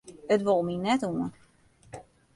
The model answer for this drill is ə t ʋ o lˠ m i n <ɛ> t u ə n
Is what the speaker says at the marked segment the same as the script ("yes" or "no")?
yes